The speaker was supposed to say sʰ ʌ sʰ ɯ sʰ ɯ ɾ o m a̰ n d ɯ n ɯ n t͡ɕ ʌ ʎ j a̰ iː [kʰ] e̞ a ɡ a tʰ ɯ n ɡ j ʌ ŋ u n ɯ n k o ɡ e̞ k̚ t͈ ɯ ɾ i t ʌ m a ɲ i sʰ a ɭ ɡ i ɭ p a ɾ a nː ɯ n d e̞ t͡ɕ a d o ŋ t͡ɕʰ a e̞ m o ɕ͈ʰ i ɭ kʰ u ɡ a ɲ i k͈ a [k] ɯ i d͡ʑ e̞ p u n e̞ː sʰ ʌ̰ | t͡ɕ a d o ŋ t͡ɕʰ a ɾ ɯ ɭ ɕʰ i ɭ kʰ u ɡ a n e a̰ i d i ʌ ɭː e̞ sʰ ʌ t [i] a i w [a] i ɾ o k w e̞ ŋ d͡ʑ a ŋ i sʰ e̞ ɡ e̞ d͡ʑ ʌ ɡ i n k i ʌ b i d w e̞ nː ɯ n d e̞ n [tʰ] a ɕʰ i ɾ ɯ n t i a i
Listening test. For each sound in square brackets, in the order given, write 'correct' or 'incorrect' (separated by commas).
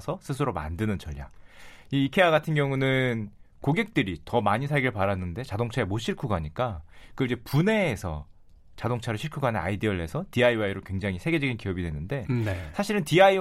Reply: correct, correct, correct, correct, incorrect